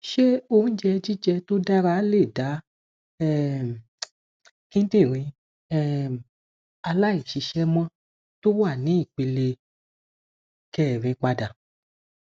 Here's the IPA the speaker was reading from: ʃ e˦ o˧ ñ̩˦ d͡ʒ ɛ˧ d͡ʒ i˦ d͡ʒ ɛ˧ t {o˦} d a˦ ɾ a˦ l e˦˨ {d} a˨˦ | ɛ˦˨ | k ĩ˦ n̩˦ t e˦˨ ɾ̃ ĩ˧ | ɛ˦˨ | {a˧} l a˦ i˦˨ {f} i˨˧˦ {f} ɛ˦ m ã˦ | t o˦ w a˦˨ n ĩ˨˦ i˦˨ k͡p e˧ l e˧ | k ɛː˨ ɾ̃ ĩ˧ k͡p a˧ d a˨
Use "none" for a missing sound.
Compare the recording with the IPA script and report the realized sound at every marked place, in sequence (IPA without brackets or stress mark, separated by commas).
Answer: o˦, d, a˧, ʃ, ʃ